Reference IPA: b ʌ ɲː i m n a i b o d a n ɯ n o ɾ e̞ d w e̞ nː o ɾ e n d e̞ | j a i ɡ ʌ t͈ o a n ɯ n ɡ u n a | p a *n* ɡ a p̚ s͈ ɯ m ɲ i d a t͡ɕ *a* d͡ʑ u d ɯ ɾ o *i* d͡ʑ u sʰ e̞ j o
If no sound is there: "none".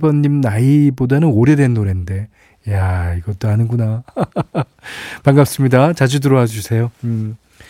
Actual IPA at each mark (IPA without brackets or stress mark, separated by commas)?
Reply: ŋ, a, a